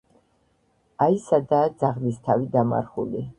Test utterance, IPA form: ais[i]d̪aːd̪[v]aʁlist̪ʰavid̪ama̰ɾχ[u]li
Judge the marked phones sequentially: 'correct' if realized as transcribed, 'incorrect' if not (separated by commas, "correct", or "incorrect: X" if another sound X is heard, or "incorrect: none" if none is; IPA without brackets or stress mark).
incorrect: a, incorrect: z, correct